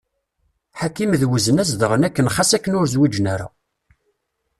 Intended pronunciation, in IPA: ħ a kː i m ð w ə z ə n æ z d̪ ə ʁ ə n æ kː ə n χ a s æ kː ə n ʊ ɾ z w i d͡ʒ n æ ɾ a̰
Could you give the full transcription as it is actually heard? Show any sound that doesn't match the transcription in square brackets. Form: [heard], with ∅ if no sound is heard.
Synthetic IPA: ħ a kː i m ð w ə z ə n æ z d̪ ə ʁ ə n æ kː ə n χ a s æ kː ə n ʊ ɾ z w i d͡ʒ n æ ɾ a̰